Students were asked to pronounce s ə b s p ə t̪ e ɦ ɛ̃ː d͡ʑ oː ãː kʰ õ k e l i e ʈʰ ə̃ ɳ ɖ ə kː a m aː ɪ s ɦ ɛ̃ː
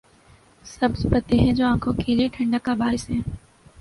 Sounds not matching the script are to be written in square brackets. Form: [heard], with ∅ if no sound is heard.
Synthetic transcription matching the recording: s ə b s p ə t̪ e ɦ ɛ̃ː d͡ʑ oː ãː kʰ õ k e l i e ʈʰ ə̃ ɳ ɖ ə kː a [b] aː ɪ s ɦ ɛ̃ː